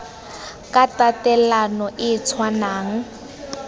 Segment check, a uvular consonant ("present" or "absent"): absent